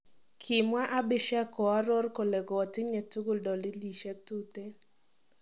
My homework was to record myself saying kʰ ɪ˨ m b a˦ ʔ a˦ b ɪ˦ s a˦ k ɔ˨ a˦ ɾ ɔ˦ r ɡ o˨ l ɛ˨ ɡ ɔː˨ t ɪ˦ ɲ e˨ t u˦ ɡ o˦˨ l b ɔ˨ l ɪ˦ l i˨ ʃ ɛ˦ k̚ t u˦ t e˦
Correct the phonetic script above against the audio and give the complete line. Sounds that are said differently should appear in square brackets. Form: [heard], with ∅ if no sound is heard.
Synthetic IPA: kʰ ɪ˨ m [w] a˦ ʔ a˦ b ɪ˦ [ʃ] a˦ k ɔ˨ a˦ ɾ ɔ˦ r [k] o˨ l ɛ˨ ɡ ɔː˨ t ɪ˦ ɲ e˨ t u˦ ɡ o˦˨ l [d] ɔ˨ l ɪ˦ l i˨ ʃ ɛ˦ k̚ t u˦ t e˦